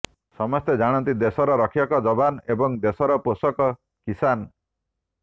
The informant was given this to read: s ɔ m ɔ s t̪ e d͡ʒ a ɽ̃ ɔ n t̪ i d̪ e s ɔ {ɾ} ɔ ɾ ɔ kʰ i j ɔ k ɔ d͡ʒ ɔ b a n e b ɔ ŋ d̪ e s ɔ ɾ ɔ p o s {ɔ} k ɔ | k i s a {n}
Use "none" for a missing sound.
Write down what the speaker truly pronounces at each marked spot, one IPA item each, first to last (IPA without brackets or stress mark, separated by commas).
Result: ɾ, ɔ, n